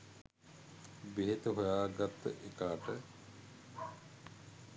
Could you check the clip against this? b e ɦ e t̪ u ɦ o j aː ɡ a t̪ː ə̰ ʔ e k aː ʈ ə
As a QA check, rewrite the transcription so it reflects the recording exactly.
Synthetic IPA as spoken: b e ɦ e t̪ u ɦ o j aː ɡ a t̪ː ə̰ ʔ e k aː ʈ ə